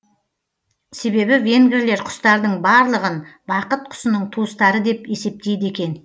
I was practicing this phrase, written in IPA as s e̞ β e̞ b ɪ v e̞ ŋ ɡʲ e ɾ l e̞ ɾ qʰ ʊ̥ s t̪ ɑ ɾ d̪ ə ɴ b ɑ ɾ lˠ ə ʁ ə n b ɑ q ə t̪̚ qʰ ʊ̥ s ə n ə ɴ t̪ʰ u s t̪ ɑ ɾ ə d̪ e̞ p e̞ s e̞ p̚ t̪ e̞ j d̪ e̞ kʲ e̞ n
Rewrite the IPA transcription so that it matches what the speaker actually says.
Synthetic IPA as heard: s e̞ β e̞ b ɪ v e̞ ŋ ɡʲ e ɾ l e̞ ɾ qʰ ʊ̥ s t̪ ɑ ɾ d̪ ə ɴ b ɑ ɾ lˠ ə ʁ ə n b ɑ q ə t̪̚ qʰ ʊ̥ s ə n ə ɴ t̪ʰ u s t̪ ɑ ɾ ə d̪ e̞ p e̞ s e̞ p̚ t̪ e̞ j d̪ e̞ kʲ e̞ n